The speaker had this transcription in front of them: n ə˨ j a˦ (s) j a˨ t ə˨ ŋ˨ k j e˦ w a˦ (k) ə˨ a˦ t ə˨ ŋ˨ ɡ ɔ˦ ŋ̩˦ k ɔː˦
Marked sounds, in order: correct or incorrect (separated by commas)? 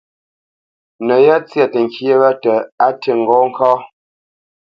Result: incorrect, incorrect